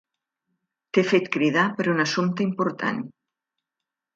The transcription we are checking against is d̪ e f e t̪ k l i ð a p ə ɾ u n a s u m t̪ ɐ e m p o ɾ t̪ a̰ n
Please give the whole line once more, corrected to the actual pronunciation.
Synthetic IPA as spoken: t̪ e f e t̪ k ɾ i ð a p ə ɾ u n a s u m t̪ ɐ i m p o ɾ t̪ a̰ n